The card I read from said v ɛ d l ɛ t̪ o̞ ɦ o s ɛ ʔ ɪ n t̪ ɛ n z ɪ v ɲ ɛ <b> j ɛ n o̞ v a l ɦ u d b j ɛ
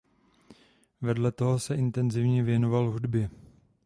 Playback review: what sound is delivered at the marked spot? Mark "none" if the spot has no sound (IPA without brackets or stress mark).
v